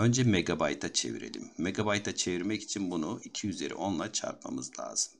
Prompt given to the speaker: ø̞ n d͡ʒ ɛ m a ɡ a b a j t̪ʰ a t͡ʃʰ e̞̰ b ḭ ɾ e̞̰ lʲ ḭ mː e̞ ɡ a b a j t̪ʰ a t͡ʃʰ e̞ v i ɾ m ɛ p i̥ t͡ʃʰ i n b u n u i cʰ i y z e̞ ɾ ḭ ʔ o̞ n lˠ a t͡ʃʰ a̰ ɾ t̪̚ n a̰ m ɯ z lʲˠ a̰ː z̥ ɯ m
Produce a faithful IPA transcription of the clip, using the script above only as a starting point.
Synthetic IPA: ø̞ n d͡ʒ ɛ m e ɡ a b a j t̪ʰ a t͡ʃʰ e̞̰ v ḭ ɾ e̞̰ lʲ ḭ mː e̞ ɡ a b a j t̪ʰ a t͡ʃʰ e̞ v i ɾ m ɛ c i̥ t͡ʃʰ i n b u n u i cʰ i y z e̞ ɾ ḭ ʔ o̞ n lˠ a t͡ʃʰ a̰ ɾ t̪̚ m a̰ m ɯ z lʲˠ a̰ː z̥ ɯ m